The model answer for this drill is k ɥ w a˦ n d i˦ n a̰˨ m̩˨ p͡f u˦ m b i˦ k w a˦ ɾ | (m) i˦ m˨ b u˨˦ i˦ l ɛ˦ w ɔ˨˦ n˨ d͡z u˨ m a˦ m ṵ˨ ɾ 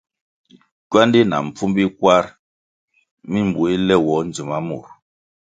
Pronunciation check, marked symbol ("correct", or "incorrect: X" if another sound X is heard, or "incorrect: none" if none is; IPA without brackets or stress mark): correct